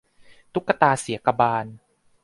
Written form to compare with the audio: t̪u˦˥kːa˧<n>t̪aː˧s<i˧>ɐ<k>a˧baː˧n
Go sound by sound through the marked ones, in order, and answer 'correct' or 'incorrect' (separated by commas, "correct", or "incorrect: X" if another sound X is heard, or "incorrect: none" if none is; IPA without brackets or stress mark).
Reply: incorrect: none, incorrect: i˩˦, correct